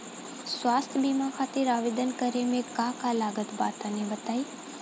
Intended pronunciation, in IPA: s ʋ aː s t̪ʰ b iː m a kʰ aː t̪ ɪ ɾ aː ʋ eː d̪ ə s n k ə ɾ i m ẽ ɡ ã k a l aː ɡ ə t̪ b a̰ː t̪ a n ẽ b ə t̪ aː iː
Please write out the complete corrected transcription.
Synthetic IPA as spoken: s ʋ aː s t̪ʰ b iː m a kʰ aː t̪ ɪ ɾ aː ʋ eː d̪ ə n k ə ɾ e m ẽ k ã k a l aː ɡ ə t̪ b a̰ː t̪ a n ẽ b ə t̪ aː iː